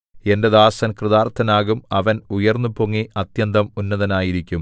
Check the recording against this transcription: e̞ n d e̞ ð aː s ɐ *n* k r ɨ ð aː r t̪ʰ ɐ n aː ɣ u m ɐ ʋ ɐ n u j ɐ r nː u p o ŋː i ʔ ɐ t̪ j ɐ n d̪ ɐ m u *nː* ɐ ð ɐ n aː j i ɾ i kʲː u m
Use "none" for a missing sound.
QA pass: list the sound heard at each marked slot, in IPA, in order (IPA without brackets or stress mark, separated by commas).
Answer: n, nː